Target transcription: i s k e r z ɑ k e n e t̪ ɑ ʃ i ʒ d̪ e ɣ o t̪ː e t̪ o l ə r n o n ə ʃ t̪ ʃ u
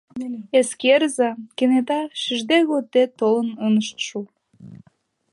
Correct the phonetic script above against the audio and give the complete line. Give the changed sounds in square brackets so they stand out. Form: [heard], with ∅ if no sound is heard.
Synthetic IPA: [e] s k e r z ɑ k e n e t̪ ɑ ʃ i ʒ d̪ e ɣ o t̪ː e t̪ o l ə [∅] n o n ə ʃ t̪ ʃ u